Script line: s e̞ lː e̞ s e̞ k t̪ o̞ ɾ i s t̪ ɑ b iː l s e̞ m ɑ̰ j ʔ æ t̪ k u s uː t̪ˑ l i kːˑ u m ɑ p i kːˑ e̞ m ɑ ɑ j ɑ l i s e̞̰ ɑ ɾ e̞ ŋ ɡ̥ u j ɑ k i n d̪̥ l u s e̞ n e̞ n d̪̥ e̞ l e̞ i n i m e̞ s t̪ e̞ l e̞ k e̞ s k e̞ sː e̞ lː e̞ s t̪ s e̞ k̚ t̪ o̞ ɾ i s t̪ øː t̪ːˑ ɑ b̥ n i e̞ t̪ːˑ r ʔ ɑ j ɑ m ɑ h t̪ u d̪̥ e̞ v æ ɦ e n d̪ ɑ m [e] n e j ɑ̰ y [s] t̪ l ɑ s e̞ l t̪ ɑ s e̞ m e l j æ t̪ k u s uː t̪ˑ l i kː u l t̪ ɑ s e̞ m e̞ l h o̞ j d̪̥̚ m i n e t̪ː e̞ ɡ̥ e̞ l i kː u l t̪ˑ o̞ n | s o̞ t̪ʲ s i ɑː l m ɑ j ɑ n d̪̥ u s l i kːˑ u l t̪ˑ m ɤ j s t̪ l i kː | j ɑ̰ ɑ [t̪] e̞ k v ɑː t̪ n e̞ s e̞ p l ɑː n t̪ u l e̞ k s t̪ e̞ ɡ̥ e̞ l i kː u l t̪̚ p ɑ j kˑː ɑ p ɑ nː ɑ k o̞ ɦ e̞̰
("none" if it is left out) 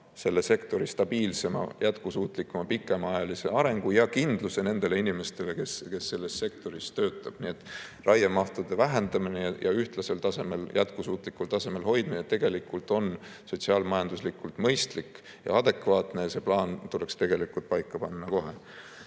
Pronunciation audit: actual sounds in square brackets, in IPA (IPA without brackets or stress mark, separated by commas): i, h, d̪